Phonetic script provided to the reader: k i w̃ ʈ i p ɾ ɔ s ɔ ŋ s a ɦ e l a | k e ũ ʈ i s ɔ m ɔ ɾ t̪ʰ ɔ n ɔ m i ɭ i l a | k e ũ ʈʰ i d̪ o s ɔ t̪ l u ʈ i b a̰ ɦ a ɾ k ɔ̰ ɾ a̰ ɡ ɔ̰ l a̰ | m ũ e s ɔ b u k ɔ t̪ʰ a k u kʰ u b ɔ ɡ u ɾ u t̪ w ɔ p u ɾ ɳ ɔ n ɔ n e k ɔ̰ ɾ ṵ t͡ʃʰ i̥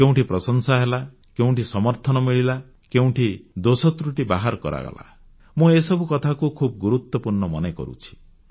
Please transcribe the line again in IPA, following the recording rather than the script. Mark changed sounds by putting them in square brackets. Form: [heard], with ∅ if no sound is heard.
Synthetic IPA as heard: k [e] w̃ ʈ i p ɾ ɔ s ɔ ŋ s a ɦ e l a | k e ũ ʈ i s ɔ m ɔ ɾ t̪ʰ ɔ n ɔ m i ɭ i l a | k e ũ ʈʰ i d̪ o s ɔ t̪ [ɾ] u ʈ i b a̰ ɦ a ɾ k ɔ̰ ɾ a̰ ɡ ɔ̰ l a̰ | m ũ e s ɔ b u k ɔ t̪ʰ a k u kʰ u b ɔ ɡ u ɾ u t̪ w ɔ p u ɾ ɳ ɔ [m] ɔ n e k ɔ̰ ɾ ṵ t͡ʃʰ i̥